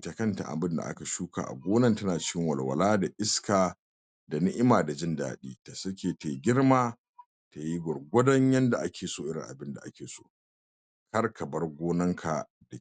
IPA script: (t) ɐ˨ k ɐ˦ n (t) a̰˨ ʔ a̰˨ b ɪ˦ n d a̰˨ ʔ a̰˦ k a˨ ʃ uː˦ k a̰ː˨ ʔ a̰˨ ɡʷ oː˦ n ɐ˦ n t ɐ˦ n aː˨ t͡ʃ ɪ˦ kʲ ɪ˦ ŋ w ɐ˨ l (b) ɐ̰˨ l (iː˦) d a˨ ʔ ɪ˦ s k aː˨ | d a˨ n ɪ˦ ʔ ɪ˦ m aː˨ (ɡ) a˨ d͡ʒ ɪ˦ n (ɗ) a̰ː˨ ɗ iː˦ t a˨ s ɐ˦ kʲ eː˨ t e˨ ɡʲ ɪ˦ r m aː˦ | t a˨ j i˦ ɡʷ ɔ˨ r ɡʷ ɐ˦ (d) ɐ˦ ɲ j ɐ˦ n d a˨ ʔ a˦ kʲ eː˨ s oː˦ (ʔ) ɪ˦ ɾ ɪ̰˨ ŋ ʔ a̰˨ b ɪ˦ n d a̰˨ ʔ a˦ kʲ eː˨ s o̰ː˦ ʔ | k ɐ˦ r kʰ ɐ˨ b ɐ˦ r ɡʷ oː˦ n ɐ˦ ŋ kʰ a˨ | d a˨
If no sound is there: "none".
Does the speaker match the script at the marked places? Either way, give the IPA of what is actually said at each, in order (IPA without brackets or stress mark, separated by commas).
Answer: t, t, w, aː˦, d, d, d, ʔ